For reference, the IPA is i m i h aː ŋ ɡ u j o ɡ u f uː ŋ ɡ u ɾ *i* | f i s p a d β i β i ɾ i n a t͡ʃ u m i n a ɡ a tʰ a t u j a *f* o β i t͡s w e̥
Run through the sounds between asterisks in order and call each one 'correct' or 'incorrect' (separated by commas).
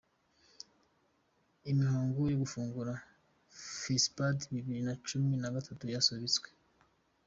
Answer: incorrect, incorrect